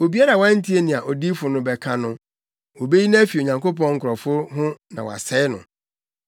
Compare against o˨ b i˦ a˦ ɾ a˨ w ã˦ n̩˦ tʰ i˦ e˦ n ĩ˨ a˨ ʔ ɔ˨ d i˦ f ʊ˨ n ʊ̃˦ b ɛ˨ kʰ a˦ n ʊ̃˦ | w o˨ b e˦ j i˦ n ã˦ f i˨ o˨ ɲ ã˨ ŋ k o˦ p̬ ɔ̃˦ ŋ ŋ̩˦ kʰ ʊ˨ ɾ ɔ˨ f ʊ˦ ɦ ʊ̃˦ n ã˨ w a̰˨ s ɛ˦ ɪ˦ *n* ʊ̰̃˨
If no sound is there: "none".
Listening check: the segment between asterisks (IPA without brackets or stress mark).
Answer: n